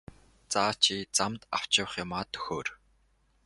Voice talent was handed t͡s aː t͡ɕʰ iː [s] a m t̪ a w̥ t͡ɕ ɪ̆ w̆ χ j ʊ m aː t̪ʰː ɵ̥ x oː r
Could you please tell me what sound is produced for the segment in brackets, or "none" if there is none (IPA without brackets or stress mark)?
t͡s